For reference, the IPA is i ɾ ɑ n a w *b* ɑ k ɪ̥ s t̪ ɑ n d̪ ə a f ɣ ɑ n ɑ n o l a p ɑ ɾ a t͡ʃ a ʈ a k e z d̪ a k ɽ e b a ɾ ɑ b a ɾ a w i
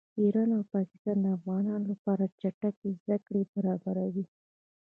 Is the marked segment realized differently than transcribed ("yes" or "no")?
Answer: yes